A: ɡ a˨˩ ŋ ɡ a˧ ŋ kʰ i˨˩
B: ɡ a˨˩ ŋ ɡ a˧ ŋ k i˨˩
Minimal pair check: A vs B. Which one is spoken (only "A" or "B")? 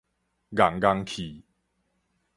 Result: A